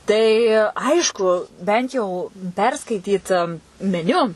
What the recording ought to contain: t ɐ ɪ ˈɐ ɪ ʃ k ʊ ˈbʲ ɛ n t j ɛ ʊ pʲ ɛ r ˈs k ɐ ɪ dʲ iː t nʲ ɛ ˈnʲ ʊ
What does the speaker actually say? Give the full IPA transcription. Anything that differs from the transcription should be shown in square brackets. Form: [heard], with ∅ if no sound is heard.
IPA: t ɐ ɪ ˈɐ ɪ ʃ k ʊ ˈbʲ ɛ n t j ɛ ʊ pʲ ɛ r ˈs k ɐ ɪ [tʲ] iː t [mʲ] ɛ ˈnʲ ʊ